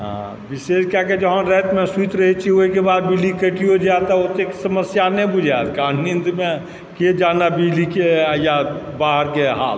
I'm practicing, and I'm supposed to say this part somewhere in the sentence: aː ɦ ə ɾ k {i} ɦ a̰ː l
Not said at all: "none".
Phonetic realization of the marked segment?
e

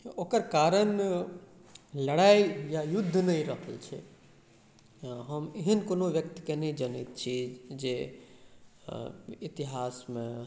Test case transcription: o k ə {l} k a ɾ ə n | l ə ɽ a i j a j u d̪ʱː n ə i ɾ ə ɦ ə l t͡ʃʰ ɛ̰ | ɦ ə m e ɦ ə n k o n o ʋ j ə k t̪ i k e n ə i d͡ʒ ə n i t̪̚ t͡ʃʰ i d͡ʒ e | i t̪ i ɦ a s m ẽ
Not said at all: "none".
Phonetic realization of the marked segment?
ɾ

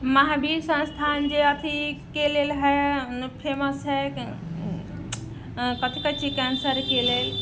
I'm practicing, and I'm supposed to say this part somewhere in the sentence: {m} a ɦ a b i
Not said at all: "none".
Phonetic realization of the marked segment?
m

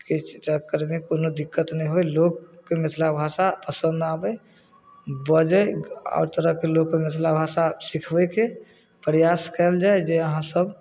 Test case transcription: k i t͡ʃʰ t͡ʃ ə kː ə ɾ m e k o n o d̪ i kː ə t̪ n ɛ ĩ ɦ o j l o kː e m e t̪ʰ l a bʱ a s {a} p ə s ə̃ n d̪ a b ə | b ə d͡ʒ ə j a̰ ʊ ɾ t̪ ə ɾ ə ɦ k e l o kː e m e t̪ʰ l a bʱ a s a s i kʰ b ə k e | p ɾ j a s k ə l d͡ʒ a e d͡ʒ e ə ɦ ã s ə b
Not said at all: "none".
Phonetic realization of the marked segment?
a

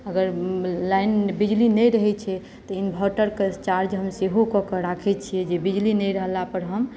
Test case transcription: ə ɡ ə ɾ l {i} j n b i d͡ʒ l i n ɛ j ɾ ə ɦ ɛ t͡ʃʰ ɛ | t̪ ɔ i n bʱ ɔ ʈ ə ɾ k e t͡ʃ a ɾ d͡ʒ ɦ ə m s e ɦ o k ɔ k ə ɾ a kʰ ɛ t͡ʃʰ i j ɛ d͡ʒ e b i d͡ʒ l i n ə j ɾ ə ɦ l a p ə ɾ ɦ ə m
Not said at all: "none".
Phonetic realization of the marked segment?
a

